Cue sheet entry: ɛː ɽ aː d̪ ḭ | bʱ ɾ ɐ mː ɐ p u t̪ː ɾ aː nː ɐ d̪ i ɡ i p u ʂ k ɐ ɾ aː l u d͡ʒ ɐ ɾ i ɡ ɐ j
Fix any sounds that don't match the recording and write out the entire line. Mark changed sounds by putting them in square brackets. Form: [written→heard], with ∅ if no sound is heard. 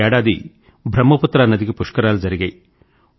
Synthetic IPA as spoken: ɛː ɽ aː d̪ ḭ | bʱ ɾ ɐ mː ɐ p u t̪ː ɾ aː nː ɐ d̪ i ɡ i p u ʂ k ɐ ɾ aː l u d͡ʒ ɐ ɾ i ɡ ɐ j